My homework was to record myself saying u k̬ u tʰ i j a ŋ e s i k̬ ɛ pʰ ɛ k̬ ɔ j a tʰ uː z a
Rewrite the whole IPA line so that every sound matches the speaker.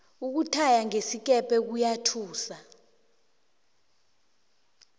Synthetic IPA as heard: u k̬ u tʰ a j a ŋ e s i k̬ ɛ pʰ ɛ k̬ u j a tʰ uː s a